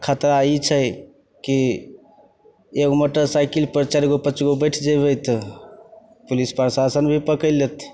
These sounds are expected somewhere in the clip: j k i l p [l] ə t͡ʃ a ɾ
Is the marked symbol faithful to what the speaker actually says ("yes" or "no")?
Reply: no